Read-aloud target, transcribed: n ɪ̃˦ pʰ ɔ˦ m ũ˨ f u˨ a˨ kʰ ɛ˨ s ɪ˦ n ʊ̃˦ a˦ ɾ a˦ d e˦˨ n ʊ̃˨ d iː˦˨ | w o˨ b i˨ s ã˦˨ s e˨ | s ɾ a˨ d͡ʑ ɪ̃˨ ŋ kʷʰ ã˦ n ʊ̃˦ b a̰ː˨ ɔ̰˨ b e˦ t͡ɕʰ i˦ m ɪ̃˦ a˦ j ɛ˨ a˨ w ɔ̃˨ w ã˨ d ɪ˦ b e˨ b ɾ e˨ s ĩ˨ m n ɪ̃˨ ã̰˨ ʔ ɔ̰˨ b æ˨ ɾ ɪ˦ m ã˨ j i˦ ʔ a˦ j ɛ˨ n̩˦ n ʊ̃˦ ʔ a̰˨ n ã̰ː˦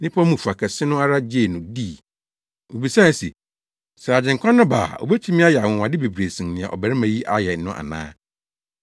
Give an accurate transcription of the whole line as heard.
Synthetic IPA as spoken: n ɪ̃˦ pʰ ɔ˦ m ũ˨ f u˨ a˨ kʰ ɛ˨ s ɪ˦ n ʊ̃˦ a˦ ɾ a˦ d͡ʑ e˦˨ n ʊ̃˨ d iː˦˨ | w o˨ b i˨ s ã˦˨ s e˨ | s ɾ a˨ d͡ʑ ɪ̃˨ ŋ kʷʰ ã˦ n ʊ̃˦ b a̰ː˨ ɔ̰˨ b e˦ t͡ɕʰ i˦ m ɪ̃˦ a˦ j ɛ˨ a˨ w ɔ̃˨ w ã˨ d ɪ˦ b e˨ b ɾ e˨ s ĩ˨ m n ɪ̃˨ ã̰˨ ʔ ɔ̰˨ b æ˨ ɾ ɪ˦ m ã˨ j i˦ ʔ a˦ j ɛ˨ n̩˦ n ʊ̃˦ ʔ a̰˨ n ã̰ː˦

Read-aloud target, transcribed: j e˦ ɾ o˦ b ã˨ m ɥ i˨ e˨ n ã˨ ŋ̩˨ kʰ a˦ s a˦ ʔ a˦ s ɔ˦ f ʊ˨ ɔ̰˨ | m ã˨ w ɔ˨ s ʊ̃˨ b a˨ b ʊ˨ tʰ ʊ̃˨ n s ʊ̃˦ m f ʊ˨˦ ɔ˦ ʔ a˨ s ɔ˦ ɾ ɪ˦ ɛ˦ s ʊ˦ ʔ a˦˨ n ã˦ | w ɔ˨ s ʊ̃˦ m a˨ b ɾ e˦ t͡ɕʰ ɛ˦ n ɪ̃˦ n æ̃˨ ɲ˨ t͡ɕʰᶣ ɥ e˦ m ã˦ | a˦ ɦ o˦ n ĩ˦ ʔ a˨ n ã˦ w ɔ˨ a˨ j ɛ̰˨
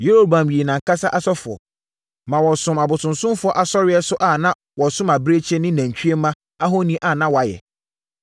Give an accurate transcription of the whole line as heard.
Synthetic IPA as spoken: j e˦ ɾ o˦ b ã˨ m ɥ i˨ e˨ n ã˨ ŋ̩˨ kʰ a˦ s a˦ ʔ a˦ s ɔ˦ f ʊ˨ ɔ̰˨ | m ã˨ w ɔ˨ s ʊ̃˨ m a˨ b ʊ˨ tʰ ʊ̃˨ n s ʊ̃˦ m f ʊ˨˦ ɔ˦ ʔ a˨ s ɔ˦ ɾ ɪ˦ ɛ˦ s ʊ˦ ʔ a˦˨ n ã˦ | w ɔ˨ s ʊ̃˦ m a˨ b ɾ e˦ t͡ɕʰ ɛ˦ n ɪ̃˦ n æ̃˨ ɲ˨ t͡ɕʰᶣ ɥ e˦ m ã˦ | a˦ ɦ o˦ n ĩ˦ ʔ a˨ n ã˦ w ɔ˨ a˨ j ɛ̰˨

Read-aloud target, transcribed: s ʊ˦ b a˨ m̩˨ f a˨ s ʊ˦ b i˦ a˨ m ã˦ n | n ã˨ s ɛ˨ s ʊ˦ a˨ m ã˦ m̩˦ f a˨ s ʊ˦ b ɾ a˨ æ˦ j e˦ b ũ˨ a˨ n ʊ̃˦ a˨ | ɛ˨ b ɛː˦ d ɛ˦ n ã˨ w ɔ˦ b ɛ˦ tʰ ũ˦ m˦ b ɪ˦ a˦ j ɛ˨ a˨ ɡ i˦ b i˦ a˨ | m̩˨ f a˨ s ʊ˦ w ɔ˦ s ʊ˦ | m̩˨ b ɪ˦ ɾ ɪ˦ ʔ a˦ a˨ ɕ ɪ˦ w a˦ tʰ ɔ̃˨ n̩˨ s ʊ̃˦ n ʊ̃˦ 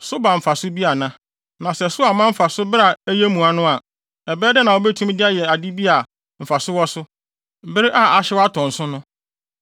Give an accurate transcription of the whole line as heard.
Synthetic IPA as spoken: s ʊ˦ b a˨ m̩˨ f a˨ s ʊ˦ b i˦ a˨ n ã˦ | n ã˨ s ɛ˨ s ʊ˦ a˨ m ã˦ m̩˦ f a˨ s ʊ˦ b ɾ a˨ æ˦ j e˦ m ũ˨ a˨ n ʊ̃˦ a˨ | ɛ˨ b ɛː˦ d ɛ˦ n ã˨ w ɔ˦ b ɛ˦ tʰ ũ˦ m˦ d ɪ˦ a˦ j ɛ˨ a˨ d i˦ b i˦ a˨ | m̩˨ f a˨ s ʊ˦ w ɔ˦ s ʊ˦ | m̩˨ b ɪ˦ ɾ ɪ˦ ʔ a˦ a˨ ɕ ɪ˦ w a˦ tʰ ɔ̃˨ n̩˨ s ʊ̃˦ n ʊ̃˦

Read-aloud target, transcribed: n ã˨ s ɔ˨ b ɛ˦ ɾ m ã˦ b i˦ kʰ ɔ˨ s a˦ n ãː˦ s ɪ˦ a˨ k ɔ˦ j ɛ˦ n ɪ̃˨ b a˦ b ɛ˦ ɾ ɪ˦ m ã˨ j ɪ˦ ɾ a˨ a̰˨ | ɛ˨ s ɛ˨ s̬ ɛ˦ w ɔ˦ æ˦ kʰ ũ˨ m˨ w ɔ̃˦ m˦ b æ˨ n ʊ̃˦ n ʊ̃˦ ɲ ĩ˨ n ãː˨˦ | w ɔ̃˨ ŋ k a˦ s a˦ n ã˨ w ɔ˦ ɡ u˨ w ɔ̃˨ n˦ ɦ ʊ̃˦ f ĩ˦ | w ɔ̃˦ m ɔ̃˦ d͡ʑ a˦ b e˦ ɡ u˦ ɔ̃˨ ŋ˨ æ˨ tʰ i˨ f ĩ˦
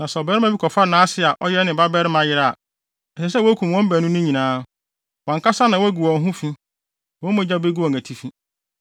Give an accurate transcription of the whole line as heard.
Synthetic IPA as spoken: n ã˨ s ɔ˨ b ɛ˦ ɾ m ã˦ b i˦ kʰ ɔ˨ f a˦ n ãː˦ s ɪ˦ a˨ ʔ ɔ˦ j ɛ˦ n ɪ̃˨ b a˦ b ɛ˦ ɾ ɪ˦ m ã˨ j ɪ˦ ɾ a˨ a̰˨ | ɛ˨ s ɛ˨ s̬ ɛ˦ w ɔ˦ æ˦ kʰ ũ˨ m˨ w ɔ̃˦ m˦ b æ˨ n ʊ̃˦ n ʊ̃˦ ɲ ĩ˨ n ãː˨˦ | w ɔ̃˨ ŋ k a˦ s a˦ n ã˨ w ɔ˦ ɡ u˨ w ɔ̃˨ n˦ ɦ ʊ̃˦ f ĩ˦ | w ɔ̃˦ m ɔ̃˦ d͡ʑ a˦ b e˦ ɡ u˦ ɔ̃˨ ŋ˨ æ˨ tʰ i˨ f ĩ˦

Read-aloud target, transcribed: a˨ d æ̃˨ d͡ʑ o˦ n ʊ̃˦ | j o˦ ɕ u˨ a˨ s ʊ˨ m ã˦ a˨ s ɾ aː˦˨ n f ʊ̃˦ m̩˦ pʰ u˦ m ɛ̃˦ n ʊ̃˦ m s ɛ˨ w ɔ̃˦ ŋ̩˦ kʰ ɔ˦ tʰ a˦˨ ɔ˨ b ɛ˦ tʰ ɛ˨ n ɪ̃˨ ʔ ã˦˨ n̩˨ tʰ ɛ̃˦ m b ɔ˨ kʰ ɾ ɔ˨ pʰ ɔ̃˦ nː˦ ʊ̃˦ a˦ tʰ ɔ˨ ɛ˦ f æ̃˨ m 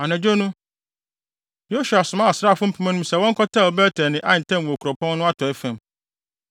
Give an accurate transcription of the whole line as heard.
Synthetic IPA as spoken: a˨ n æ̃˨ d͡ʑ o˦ n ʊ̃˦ | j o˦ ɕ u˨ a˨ s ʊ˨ m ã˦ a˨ s ɾ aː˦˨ f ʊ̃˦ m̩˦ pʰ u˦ m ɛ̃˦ n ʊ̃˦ m s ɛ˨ w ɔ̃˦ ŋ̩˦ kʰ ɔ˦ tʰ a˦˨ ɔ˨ b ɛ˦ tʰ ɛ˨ n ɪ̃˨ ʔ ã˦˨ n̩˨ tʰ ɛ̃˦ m w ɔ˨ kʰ ɾ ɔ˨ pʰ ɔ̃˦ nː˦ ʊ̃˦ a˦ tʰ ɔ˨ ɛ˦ f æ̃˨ m

